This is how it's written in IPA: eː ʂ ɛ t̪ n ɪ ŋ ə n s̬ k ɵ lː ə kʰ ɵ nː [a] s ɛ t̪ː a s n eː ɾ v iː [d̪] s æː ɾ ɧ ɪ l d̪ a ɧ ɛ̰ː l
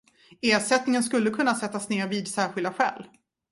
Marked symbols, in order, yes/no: yes, yes

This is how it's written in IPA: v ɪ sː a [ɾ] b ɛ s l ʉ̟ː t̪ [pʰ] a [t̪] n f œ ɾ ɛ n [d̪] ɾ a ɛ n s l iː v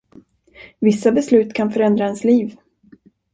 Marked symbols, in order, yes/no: no, no, no, yes

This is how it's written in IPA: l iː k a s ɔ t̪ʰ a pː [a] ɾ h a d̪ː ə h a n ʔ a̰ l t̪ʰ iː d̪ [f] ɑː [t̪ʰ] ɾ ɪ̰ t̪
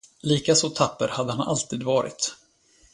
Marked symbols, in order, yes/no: no, no, no

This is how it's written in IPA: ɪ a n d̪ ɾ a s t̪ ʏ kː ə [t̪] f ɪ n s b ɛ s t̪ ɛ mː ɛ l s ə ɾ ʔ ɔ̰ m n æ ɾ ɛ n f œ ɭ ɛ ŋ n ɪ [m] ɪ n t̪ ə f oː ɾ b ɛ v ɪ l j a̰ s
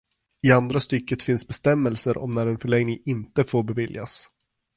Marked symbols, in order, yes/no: yes, no

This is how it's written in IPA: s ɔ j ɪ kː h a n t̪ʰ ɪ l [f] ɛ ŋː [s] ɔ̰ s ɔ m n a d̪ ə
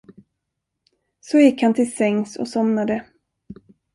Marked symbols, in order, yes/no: no, yes

